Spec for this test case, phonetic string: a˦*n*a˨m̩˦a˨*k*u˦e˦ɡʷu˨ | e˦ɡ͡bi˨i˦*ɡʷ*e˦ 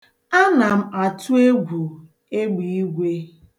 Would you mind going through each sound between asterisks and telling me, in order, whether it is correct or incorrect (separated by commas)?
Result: correct, incorrect, correct